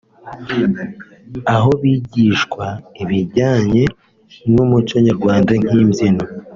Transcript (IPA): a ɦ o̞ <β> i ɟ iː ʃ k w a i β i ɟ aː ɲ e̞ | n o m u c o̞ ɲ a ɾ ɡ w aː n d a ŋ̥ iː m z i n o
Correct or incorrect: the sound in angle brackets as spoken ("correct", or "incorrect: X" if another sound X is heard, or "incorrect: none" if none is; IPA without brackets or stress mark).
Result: correct